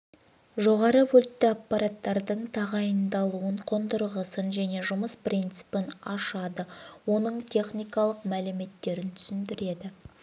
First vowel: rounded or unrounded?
rounded